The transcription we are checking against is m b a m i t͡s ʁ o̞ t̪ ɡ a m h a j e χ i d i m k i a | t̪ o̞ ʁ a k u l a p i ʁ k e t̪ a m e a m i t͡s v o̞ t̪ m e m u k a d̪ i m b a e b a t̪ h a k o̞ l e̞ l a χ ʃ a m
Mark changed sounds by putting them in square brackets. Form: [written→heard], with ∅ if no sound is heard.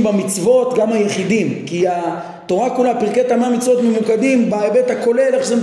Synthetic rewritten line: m b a m i t͡s [ʁ→v] o̞ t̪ ɡ a m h a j e χ i d i m k i a | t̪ o̞ ʁ a k u l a p i ʁ k e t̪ a m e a m i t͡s v o̞ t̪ m e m u k a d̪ i m b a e b [a→e] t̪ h a k o̞ l e̞ l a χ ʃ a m